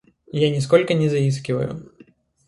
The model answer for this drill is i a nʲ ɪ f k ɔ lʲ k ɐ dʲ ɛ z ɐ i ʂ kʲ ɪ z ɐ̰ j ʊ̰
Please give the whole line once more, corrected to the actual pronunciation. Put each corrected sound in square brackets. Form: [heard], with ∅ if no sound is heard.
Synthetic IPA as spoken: [j] a nʲ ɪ [s] k ɔ lʲ k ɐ [nʲ] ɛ z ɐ i [s] kʲ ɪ [v] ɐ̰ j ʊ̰